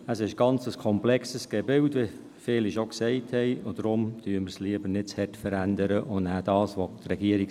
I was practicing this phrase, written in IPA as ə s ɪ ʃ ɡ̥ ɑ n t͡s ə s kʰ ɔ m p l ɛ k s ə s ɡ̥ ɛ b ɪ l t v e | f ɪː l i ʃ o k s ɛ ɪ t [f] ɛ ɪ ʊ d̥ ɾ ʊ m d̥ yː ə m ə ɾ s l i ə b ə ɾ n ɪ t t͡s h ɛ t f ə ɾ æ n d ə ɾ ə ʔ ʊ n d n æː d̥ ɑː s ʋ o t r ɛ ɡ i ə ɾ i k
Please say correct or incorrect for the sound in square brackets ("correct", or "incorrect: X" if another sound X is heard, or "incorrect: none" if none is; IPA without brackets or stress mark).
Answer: incorrect: h